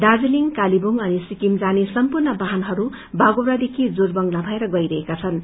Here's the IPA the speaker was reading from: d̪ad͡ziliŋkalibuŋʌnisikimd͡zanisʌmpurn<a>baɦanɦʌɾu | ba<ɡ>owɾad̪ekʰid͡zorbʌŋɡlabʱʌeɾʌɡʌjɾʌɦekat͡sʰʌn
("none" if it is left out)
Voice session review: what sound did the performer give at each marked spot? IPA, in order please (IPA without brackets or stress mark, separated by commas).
ʌ, ɡ